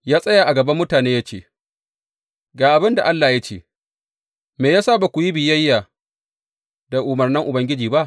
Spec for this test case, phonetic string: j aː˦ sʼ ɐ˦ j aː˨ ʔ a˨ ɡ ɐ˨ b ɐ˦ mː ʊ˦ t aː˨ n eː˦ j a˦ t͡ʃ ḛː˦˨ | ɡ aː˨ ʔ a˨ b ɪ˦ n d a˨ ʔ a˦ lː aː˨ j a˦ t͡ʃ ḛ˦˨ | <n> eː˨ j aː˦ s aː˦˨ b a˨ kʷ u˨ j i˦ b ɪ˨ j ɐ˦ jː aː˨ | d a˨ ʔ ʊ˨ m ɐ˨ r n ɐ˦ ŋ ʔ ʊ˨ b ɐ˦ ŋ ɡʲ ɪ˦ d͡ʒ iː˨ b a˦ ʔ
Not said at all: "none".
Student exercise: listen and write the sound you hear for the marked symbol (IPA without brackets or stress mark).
m